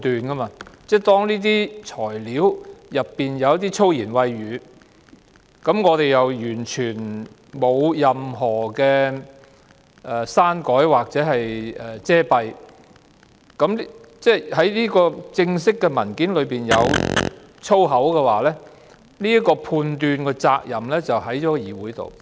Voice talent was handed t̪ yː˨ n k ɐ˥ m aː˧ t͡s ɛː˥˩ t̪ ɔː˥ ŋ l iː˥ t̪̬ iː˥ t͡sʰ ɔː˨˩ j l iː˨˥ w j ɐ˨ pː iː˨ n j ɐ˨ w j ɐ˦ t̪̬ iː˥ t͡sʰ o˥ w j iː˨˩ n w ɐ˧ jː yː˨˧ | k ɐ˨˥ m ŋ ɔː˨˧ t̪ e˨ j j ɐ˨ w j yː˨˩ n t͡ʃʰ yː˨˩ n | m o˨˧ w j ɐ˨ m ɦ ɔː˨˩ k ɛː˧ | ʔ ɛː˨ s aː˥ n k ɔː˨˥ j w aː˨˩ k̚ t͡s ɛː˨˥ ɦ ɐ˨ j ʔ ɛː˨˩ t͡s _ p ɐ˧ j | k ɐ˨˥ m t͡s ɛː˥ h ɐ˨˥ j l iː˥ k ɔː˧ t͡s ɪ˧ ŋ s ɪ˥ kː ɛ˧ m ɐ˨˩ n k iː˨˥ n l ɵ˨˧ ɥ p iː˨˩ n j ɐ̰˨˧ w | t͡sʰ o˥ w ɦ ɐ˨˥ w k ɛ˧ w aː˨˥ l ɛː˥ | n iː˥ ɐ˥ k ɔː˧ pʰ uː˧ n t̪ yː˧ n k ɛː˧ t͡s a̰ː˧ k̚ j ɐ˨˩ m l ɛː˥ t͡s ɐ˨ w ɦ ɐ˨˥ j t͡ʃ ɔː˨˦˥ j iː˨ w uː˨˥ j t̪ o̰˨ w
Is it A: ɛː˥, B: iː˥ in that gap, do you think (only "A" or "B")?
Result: A